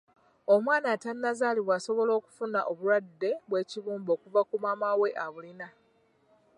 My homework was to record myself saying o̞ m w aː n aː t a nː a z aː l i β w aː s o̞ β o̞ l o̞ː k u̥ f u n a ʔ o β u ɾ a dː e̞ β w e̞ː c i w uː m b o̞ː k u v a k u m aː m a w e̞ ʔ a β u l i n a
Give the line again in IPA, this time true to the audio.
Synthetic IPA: o̞ m w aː n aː t a nː a z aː l i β w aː s o̞ β o̞ l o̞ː k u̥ f u n a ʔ o β u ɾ a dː e̞ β w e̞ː c i β uː m b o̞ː k u v a k u m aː m a w e̞ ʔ a β u l i n a